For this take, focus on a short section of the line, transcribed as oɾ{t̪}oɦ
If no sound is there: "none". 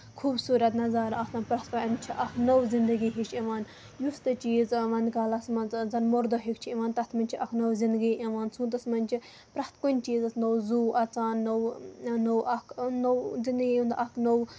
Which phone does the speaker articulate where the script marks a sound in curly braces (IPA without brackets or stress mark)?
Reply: d̪